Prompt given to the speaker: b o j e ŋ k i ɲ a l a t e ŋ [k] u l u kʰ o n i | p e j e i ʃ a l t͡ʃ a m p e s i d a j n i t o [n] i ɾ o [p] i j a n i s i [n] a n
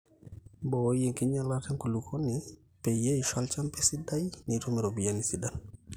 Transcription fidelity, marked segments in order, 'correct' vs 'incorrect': correct, incorrect, incorrect, incorrect

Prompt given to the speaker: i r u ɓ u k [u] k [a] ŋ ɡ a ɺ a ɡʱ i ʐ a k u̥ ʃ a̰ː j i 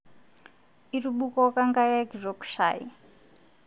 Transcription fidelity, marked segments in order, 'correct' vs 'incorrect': incorrect, correct

